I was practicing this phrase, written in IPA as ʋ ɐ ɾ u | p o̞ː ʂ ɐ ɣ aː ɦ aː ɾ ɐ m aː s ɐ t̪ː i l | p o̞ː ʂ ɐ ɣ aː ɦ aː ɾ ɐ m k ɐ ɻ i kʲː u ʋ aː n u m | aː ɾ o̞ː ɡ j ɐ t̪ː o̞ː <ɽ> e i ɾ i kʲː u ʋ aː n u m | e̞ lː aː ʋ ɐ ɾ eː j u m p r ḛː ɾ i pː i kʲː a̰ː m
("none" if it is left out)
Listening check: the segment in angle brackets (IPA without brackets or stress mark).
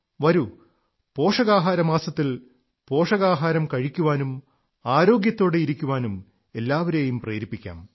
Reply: ɽ